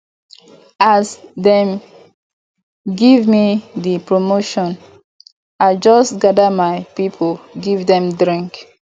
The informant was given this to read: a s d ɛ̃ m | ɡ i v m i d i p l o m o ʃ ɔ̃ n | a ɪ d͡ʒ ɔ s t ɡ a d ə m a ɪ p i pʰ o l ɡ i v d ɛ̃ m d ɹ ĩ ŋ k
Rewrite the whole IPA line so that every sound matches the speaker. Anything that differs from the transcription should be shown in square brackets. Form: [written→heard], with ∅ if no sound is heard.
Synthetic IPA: a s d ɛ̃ m | ɡ i v m i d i p [l→ɹ] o m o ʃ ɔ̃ n | a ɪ d͡ʒ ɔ s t ɡ a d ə m a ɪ p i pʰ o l ɡ i v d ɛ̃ m d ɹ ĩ ŋ k